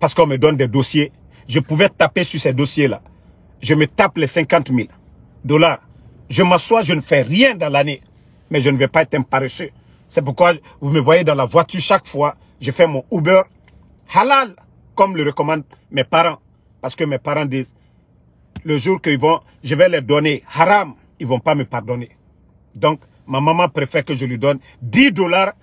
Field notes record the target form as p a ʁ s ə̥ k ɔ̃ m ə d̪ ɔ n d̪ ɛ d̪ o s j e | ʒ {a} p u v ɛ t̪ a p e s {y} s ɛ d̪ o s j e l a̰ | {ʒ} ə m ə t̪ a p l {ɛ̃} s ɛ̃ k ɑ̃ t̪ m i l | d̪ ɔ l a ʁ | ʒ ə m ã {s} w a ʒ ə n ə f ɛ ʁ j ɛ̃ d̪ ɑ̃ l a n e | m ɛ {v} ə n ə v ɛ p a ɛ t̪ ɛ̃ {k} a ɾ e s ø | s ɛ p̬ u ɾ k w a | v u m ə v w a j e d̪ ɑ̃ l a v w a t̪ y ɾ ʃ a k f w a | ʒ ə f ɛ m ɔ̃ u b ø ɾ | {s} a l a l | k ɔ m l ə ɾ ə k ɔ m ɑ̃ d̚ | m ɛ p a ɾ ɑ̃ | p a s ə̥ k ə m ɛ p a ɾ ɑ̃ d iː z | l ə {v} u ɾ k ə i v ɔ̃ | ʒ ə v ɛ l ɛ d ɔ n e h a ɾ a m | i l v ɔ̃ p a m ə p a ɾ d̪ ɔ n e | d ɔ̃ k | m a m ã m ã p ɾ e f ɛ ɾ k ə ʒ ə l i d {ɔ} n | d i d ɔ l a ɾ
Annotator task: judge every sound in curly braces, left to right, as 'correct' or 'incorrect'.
incorrect: ə, correct, correct, incorrect: ɛ, correct, incorrect: ʒ, incorrect: p, incorrect: h, incorrect: ʒ, correct

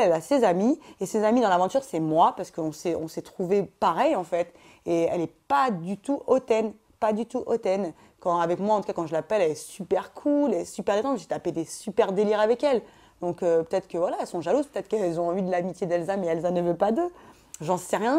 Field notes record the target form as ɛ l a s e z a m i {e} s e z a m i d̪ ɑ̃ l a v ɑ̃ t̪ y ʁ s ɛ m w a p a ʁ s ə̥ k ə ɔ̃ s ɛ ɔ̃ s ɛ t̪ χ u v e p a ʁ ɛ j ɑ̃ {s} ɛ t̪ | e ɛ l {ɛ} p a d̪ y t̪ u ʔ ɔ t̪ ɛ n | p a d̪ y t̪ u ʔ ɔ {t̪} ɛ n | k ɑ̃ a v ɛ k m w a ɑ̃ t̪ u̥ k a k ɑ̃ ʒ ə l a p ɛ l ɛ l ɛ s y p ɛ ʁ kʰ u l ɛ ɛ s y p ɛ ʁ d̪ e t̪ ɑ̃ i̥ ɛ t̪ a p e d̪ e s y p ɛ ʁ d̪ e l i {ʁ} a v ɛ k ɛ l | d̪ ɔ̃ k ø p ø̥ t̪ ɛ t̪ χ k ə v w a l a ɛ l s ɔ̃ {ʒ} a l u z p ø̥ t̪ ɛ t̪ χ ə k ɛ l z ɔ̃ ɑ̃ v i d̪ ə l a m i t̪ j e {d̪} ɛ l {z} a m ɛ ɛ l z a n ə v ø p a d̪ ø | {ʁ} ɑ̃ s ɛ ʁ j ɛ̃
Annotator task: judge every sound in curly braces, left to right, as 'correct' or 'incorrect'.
correct, incorrect: f, correct, correct, correct, correct, correct, correct, incorrect: ʒ

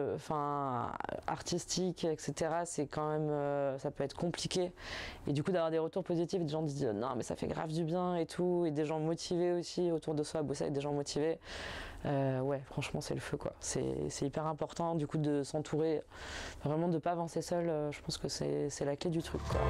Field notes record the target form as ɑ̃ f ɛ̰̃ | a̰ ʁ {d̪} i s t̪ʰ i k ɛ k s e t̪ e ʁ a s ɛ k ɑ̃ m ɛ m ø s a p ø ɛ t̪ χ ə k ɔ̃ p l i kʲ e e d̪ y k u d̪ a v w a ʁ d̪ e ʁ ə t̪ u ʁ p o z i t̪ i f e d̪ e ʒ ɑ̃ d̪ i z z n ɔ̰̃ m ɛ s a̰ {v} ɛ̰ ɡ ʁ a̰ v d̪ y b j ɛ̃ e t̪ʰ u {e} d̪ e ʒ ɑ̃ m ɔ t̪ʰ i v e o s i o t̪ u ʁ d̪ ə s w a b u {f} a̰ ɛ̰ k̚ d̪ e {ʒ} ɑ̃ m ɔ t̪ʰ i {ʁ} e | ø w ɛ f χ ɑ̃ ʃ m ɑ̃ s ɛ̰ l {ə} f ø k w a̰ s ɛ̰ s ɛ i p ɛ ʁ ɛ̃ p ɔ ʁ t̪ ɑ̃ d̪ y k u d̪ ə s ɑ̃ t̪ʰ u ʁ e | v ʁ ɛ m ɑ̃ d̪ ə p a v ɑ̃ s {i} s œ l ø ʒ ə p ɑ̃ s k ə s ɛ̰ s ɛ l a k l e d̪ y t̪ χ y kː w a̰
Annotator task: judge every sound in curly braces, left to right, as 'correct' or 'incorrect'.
incorrect: t̪, incorrect: f, correct, incorrect: s, correct, incorrect: v, correct, incorrect: e

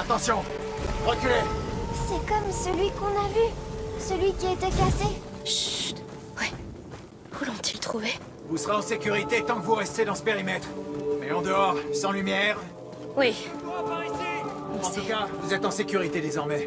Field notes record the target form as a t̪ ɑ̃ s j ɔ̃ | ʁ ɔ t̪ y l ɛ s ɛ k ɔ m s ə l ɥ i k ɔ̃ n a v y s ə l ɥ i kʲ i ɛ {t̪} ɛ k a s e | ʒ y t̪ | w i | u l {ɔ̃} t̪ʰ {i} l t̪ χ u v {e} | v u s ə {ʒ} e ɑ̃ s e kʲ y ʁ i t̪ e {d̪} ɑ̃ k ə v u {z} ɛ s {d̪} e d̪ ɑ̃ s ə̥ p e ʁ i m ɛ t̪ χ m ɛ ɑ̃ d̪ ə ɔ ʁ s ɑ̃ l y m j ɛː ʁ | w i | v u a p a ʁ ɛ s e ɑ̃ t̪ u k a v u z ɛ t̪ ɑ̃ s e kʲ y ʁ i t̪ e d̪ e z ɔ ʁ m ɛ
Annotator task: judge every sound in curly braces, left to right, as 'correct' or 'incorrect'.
correct, correct, correct, correct, incorrect: ʁ, incorrect: t̪, incorrect: ʁ, incorrect: t̪

